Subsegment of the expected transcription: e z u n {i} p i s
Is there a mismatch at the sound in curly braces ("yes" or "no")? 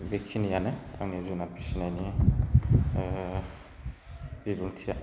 yes